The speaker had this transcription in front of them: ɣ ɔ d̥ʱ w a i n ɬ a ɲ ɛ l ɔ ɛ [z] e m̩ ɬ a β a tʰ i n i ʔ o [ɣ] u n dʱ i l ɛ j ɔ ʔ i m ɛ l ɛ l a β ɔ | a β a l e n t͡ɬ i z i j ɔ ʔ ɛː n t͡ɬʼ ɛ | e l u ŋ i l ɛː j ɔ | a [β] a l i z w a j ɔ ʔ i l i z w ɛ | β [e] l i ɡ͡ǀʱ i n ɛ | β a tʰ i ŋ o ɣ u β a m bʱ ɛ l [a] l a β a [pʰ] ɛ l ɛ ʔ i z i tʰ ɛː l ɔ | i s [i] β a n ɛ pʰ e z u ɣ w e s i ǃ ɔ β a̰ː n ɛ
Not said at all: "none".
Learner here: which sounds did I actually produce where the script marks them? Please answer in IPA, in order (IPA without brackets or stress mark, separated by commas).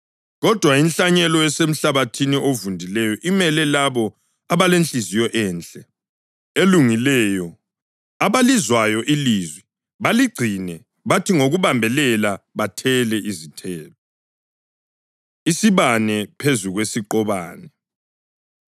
s, v, β, a, ɛ, tʰ, i